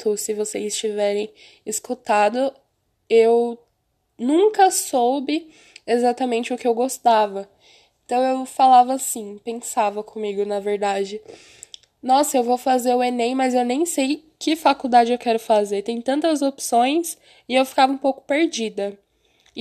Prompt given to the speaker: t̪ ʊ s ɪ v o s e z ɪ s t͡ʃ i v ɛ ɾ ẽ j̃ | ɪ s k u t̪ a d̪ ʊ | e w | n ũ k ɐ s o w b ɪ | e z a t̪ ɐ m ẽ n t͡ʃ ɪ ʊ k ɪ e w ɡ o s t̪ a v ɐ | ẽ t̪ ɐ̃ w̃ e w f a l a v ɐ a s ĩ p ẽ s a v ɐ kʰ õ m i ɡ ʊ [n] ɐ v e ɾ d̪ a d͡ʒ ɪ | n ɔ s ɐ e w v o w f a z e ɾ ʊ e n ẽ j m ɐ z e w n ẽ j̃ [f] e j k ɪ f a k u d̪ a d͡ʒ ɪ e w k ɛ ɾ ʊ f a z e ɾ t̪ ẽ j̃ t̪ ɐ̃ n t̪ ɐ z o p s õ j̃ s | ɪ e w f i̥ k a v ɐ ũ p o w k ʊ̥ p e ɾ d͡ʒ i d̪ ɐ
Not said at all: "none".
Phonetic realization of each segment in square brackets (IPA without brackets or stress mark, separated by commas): n, s